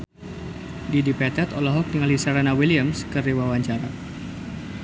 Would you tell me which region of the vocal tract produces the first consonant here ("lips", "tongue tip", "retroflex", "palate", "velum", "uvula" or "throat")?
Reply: tongue tip